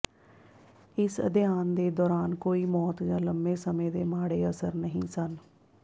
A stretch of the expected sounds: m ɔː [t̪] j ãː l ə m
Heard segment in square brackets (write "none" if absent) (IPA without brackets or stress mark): t̪